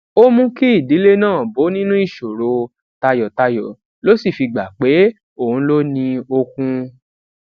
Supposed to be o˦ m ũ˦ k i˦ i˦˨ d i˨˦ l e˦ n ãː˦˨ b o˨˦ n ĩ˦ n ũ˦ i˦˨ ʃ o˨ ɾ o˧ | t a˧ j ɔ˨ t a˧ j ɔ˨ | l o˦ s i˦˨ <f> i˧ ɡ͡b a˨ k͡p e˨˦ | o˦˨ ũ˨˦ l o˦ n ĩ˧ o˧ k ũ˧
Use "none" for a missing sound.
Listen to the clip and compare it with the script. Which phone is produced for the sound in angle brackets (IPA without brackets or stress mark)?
f